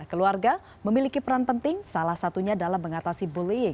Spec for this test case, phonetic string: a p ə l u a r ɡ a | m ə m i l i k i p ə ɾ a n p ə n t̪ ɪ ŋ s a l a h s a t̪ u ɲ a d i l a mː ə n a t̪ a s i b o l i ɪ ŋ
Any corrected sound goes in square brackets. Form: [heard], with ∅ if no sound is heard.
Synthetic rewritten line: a [k] ə l u a r ɡ a | m ə m i l i k i p ə ɾ a n p ə n t̪ ɪ ŋ s a l a h s a t̪ u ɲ a d [a] l a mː ə [ŋ] a t̪ a s i b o l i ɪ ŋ